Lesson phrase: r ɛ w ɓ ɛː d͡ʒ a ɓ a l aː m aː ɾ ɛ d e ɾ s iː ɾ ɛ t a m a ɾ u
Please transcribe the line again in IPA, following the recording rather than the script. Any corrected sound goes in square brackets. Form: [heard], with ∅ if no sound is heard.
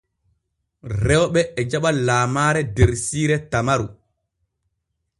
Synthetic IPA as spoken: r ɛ w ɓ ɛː d͡ʒ a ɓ a l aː m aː ɾ ɛ d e ɾ s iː ɾ ɛ t a m a ɾ u